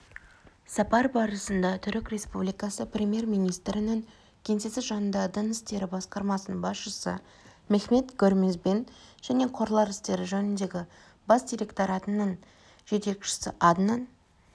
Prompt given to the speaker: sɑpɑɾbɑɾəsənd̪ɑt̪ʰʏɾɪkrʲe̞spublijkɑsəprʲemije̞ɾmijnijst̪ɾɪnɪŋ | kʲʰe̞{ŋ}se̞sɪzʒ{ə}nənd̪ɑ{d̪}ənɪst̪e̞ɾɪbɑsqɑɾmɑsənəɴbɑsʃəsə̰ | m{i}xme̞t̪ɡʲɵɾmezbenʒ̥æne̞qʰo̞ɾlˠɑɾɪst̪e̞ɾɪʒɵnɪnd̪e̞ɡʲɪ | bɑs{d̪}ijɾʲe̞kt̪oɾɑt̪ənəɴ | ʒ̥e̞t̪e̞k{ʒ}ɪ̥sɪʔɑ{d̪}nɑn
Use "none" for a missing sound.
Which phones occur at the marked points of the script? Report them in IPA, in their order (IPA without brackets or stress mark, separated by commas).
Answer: n, ɑ, d̪, e, d̪, ʃ, d̪